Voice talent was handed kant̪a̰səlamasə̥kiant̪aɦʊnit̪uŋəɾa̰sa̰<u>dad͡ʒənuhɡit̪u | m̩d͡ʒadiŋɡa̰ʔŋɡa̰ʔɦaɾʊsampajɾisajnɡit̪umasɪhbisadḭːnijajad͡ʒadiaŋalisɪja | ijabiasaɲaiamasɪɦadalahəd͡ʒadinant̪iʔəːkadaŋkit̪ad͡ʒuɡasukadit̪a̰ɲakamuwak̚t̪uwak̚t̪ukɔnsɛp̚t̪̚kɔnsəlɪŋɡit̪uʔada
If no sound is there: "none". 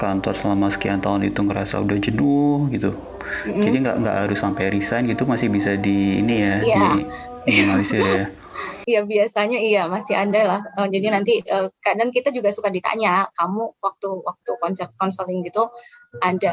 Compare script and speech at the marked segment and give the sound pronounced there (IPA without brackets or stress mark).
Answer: u